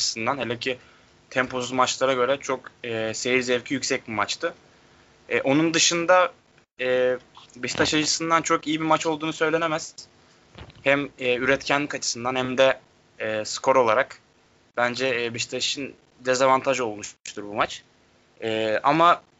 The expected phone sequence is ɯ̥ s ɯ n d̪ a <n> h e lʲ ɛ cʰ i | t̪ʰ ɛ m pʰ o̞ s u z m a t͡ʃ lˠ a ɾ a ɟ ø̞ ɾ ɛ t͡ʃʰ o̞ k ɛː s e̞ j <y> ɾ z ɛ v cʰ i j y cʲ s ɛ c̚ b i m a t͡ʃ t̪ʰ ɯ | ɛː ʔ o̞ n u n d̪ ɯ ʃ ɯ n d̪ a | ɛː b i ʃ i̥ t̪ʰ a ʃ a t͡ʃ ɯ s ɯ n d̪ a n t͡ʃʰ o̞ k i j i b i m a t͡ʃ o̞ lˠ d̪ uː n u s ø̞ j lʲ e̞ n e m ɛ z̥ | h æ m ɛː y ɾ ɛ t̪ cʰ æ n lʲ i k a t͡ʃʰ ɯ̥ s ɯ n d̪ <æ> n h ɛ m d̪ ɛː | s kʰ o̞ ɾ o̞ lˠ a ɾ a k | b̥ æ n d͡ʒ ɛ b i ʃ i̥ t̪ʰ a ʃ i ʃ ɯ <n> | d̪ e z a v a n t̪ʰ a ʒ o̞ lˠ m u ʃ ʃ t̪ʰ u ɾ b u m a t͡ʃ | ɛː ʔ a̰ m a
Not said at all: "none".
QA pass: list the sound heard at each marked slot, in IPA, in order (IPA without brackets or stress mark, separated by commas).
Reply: n, i, a, n